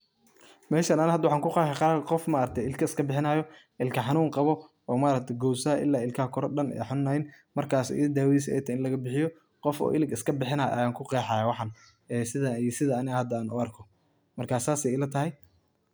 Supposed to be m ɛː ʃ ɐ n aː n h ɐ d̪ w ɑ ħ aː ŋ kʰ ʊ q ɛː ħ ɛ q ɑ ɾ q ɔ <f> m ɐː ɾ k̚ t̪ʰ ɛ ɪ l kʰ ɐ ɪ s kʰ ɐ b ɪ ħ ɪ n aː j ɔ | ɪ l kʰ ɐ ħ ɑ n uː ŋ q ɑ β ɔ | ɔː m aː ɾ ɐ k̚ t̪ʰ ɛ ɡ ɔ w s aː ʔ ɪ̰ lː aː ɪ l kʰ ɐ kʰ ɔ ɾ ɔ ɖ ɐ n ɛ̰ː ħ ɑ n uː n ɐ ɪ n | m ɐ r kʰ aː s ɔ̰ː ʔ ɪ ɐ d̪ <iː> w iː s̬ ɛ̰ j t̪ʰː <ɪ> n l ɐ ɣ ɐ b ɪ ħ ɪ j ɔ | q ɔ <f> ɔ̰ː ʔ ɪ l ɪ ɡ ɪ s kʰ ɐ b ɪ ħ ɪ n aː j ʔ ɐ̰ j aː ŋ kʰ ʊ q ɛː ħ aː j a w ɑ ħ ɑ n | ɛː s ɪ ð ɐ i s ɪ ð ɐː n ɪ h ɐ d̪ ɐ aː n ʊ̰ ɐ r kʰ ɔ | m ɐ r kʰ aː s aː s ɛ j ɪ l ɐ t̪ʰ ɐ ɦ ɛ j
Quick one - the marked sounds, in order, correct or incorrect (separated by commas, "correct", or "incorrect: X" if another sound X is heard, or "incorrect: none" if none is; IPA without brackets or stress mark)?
correct, incorrect: aː, correct, correct